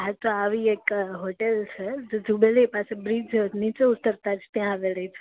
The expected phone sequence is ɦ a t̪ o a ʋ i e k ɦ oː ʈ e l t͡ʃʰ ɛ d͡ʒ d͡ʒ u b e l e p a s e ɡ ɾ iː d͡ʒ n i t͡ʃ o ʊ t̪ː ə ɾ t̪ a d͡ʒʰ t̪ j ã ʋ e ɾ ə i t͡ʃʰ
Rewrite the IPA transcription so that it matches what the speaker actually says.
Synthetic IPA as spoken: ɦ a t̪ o a ʋ i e k ɦ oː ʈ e l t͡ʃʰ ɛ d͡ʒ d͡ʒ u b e l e p a s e b ɾ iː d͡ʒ n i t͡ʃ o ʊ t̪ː ə ɾ t̪ a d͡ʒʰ t̪ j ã ʋ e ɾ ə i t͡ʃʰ